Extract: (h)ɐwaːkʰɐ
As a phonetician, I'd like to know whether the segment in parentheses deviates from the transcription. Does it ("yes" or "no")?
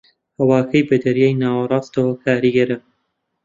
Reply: no